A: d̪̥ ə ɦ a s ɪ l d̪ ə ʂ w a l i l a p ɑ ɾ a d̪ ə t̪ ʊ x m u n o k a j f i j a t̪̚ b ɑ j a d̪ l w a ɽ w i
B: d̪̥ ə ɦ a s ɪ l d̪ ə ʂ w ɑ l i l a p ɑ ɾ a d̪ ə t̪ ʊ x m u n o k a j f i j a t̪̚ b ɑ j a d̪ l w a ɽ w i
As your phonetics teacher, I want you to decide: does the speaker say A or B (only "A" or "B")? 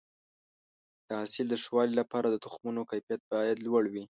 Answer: B